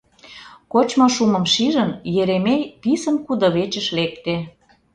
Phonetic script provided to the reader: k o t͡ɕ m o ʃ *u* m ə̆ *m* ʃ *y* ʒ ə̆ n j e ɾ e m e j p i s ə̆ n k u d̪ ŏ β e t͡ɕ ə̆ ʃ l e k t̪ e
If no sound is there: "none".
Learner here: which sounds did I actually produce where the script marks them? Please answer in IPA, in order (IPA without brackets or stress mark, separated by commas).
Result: u, m, i